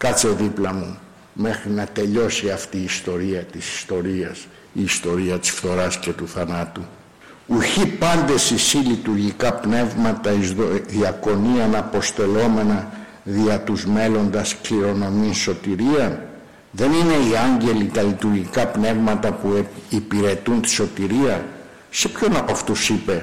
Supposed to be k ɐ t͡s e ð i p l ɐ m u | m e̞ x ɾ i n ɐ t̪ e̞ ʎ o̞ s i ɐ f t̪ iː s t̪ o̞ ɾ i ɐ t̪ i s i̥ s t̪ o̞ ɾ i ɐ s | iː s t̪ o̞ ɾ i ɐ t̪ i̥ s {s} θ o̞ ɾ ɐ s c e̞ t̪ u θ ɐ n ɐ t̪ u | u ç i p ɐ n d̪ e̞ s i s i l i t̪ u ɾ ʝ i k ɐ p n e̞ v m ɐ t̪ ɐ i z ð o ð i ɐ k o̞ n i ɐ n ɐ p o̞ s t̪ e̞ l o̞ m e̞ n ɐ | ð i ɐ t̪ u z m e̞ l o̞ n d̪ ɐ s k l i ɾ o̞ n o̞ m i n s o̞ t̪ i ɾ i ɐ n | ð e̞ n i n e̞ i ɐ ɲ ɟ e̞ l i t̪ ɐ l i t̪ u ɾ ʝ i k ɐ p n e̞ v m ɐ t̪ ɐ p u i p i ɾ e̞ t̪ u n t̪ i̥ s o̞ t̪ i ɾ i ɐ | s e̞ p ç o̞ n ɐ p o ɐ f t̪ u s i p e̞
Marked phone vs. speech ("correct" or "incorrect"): incorrect